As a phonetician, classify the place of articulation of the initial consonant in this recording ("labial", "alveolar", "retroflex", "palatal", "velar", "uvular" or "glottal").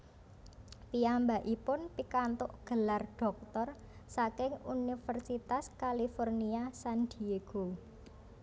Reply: labial